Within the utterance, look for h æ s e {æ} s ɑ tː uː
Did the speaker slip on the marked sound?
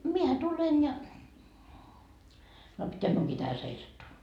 yes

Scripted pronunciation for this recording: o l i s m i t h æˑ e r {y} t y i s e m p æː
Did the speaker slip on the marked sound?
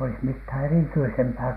yes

